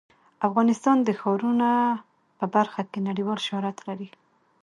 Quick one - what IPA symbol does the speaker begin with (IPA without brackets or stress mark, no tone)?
a